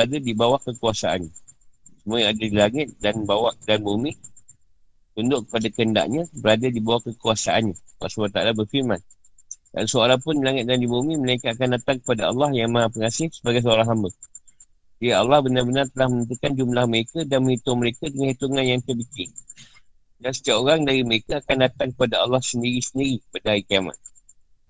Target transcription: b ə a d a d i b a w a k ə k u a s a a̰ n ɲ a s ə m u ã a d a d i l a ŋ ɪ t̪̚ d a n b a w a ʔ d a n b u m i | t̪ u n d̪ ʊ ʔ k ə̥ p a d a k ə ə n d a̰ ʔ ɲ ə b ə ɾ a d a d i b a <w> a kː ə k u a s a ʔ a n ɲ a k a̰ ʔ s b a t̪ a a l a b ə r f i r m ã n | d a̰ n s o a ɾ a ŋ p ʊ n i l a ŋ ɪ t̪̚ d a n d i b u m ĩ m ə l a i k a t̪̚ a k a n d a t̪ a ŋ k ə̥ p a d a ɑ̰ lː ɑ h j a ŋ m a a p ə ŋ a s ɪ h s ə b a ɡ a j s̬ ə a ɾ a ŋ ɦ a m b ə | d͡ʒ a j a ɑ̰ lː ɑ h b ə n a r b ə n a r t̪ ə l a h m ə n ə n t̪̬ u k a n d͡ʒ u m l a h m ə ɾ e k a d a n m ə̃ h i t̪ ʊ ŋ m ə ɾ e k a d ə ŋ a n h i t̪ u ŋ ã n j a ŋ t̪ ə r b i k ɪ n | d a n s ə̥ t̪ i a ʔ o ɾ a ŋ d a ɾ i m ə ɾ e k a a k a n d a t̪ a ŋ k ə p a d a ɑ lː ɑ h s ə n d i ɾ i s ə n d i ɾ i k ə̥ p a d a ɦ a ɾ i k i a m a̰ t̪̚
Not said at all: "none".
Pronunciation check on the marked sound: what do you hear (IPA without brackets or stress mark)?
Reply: w